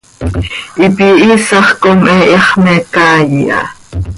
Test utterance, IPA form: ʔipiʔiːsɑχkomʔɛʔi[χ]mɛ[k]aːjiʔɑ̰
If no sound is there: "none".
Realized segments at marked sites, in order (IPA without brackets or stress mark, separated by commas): χ, k